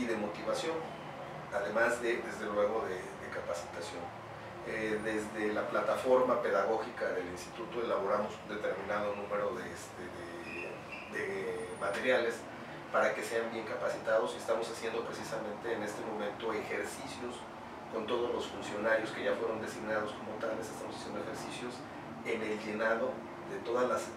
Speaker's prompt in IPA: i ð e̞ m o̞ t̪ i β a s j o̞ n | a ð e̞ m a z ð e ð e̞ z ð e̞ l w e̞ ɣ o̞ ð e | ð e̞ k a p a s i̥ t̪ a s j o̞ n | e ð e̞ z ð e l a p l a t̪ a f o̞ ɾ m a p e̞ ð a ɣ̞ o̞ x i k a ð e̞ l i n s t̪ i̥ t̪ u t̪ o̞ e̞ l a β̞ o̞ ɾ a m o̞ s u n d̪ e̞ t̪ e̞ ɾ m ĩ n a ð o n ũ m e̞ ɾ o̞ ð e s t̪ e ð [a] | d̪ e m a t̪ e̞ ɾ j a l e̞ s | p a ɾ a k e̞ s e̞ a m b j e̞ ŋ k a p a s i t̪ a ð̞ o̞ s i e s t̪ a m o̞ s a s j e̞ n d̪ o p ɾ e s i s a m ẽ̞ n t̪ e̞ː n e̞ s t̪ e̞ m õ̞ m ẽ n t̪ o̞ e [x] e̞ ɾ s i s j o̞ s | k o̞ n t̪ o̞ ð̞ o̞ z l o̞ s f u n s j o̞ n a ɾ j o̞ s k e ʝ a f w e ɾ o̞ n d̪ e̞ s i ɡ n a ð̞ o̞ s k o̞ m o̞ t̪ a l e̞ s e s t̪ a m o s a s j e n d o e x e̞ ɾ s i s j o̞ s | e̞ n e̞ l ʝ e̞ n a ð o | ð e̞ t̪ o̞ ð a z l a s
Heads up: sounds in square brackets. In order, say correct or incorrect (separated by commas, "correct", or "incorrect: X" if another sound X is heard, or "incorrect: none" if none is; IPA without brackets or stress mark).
incorrect: e, correct